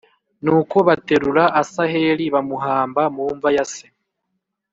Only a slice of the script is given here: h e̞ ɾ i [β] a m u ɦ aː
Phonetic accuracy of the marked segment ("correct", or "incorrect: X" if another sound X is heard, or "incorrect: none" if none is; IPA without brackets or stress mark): correct